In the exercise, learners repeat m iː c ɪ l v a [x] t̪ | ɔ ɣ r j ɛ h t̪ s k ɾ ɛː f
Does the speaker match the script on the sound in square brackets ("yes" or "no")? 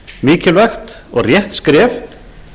yes